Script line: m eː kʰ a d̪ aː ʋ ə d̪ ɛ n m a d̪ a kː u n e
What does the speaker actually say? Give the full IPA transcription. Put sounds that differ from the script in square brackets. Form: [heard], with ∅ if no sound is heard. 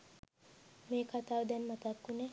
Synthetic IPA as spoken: m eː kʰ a [t̪] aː ʋ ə d̪ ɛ n m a [t̪] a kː u n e